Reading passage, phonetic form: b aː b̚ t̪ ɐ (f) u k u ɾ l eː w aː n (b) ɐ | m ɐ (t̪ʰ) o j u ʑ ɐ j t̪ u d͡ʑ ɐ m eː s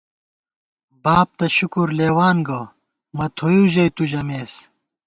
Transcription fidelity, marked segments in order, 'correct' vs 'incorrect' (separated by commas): incorrect, incorrect, correct